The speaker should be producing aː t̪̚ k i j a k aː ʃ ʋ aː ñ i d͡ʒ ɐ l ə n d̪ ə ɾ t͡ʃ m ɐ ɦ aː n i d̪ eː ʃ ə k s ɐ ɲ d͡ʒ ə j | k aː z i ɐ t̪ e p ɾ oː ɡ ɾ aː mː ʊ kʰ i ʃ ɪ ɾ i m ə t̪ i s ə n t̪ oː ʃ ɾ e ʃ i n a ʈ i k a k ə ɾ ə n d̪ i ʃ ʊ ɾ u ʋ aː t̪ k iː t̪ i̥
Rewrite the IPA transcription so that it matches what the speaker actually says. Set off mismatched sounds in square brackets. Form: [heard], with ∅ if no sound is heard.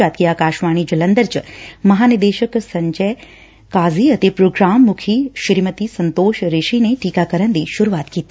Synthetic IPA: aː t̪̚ k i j a k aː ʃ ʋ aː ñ i d͡ʒ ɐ l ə n d̪ ə ɾ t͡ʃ m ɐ ɦ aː n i d̪ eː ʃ ə k s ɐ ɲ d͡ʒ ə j | k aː z i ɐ t̪ e p ɾ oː ɡ ɾ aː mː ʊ kʰ i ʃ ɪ ɾ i m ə t̪ i s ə n t̪ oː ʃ ɾ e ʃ i n [e] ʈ i k a k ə ɾ ə n d̪ i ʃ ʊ ɾ u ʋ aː t̪ k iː t̪ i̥